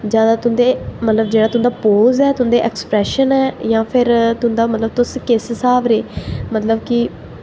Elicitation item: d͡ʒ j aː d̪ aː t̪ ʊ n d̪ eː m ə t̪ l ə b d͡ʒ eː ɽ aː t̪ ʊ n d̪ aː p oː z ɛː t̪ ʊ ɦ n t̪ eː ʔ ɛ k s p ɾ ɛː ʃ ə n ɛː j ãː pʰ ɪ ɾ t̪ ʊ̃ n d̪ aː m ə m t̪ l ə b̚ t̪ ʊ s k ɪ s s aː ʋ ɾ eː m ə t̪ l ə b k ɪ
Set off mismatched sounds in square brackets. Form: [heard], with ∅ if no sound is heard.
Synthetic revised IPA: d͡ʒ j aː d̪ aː t̪ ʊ n d̪ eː m ə t̪ l ə b d͡ʒ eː ɽ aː t̪ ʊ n d̪ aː p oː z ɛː t̪ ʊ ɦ n [d̪] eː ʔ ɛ k s p ɾ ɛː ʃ ə n ɛː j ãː pʰ ɪ ɾ t̪ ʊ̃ n d̪ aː m ə [∅] t̪ l ə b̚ t̪ ʊ s k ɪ s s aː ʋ ɾ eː m ə t̪ l ə b k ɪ